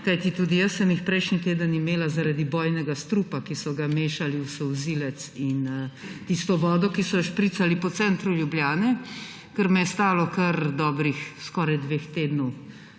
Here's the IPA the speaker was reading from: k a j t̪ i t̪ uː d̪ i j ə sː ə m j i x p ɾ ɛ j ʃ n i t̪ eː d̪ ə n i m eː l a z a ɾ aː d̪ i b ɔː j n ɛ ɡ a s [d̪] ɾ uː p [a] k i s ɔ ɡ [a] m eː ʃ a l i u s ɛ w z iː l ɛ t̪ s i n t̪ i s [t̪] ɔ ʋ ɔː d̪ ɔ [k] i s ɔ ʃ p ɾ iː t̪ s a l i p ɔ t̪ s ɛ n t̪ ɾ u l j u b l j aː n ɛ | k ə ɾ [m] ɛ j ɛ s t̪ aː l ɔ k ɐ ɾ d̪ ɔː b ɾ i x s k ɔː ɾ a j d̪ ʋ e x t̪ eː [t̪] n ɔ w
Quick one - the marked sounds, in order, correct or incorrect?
incorrect, correct, correct, correct, correct, correct, incorrect

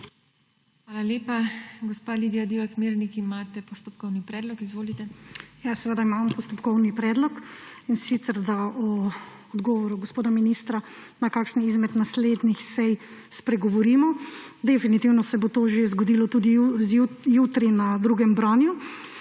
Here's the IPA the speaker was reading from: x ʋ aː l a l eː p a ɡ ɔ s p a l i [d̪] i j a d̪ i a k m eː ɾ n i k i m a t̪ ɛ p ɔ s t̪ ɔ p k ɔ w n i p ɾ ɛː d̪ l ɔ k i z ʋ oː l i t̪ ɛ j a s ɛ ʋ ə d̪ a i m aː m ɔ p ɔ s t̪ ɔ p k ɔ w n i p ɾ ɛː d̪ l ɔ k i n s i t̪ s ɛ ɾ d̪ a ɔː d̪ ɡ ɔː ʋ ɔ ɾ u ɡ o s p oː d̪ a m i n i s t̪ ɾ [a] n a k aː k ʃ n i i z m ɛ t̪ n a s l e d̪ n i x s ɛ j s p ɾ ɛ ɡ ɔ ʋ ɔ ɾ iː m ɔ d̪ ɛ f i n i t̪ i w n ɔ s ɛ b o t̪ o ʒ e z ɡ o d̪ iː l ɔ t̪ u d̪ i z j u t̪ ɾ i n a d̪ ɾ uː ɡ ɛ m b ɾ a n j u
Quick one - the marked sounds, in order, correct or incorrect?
correct, correct

